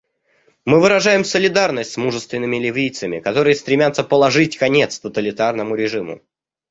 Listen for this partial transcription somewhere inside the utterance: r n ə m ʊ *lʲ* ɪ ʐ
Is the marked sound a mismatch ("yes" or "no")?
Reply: yes